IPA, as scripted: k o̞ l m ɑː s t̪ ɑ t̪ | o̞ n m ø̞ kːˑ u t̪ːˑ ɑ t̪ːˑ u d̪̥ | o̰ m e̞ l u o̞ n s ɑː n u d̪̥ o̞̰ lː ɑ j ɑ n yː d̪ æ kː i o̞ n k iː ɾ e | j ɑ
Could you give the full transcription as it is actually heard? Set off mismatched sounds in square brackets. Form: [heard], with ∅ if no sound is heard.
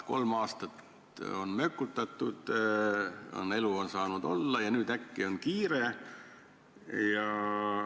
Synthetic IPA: k o̞ l m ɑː s t̪ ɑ t̪ | o̞ n m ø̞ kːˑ u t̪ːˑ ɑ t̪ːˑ u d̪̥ | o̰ [n] e̞ l u o̞ n s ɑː n u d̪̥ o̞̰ lː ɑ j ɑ n yː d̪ æ kː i o̞ n k iː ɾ e | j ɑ